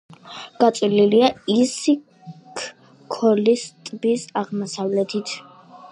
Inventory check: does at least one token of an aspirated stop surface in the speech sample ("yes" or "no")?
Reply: yes